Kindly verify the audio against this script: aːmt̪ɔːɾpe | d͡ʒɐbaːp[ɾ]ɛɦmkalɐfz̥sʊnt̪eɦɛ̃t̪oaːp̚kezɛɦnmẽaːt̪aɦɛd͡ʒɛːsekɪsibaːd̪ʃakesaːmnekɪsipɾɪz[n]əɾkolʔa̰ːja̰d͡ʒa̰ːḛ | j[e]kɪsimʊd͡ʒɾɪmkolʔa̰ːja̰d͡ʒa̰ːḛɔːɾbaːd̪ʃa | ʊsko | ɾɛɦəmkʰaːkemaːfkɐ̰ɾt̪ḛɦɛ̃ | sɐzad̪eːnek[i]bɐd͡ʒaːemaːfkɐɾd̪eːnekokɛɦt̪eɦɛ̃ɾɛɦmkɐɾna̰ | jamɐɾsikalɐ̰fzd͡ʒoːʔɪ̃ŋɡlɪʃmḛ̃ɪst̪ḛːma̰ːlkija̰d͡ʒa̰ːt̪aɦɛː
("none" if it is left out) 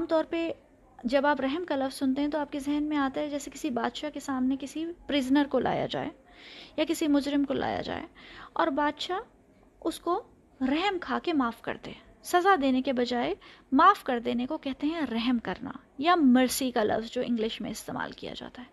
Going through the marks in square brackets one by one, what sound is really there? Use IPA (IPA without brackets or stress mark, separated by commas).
ɾ, n, a, e